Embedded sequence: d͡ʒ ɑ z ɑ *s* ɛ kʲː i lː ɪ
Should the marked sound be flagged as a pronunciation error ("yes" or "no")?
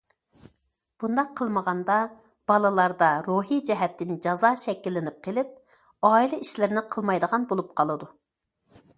yes